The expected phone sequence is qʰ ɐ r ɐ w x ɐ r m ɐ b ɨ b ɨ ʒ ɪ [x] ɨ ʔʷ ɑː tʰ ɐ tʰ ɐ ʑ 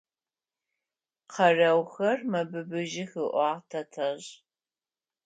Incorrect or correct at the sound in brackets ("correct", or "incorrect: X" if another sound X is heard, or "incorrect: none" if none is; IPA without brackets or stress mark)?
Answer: correct